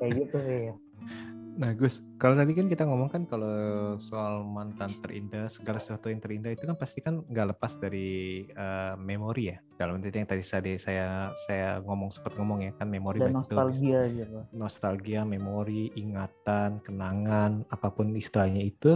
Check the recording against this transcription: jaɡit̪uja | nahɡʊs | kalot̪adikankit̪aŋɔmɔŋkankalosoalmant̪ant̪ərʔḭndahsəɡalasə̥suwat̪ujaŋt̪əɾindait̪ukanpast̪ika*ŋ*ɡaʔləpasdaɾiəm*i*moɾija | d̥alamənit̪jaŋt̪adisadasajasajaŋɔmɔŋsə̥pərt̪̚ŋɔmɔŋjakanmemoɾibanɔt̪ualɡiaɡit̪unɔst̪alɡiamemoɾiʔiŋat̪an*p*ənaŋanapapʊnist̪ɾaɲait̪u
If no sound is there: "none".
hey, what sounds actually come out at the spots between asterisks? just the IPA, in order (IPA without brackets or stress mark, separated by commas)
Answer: n, e, k